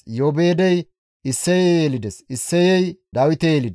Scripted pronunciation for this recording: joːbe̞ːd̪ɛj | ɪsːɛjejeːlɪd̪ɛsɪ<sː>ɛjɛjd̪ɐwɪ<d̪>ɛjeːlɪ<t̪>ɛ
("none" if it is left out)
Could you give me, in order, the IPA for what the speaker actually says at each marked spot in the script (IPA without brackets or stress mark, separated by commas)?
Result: sː, t̪, d̪